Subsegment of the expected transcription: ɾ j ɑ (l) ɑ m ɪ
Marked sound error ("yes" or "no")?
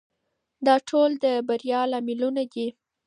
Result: no